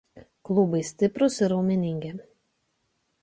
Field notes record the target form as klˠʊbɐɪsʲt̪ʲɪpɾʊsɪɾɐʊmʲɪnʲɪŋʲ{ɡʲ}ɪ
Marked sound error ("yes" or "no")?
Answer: no